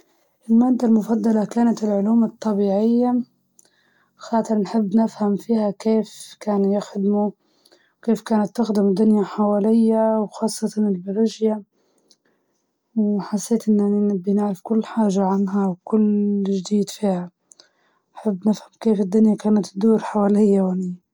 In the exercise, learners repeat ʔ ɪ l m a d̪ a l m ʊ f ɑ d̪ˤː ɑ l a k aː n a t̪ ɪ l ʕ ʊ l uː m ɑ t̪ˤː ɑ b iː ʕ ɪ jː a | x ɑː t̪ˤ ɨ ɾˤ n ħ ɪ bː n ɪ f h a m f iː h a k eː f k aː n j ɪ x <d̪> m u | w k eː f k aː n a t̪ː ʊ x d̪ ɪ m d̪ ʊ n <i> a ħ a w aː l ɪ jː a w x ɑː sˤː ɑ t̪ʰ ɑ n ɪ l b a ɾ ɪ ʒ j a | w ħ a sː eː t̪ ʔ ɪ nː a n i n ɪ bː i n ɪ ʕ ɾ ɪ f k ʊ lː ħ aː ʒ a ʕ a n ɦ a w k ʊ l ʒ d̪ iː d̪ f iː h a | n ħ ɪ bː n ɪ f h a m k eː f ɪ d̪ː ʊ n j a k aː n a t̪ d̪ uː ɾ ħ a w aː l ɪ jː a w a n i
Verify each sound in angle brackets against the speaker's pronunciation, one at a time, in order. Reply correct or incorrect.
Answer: correct, incorrect: j

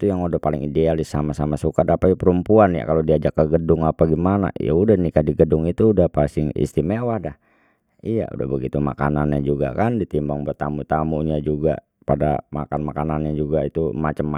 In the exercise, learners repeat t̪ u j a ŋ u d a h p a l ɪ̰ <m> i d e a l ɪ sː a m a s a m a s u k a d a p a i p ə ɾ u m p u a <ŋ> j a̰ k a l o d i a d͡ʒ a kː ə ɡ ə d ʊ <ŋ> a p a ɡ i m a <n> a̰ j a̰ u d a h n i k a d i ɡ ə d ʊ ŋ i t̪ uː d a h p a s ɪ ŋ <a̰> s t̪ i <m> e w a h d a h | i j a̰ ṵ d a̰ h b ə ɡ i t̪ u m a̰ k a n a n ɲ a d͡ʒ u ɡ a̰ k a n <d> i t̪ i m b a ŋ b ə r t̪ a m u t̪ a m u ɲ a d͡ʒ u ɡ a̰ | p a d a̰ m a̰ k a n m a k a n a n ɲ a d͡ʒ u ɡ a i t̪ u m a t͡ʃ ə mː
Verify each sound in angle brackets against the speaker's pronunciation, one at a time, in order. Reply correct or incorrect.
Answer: incorrect: ŋ, incorrect: n, correct, correct, incorrect: ḭ, correct, correct

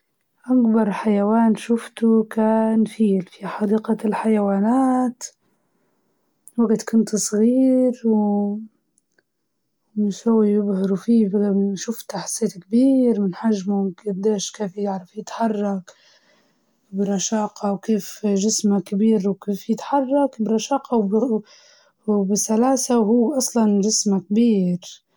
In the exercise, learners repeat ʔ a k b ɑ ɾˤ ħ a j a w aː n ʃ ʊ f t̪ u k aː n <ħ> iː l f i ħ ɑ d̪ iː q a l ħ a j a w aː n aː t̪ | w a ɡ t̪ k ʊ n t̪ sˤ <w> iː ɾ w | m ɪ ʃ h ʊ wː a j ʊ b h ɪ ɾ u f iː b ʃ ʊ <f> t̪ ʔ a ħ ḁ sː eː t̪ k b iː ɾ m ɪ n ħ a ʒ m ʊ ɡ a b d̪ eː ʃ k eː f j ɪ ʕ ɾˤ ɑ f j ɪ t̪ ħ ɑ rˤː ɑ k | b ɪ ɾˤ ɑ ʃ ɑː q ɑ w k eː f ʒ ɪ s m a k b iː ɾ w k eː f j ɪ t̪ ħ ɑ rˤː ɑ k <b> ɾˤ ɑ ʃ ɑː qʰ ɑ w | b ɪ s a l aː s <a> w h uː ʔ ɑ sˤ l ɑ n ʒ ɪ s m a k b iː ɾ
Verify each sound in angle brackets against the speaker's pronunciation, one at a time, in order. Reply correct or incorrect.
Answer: incorrect: f, incorrect: ɣ, correct, correct, correct

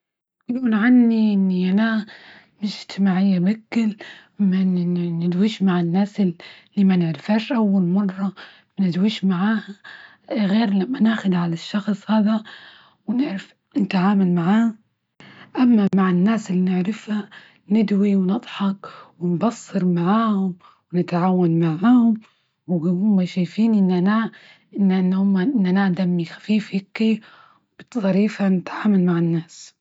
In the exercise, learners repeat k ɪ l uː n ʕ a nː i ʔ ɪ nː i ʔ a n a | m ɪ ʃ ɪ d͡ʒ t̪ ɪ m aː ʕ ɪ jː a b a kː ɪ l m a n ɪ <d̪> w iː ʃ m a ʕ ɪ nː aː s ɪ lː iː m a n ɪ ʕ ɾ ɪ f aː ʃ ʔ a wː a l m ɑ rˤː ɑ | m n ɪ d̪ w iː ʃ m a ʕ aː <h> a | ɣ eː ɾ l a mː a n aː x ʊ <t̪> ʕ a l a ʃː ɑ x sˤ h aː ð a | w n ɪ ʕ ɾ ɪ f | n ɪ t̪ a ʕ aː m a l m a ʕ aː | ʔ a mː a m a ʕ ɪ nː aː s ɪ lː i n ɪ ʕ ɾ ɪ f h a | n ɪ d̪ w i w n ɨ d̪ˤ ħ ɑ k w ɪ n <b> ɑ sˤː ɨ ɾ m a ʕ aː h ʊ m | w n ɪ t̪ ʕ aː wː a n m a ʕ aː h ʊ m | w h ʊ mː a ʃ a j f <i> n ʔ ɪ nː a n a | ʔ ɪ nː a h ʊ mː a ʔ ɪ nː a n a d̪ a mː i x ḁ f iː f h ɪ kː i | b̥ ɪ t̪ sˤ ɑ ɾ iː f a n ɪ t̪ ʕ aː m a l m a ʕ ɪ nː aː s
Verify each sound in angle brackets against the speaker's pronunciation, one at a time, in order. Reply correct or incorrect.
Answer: correct, correct, incorrect: d̪, correct, incorrect: iː

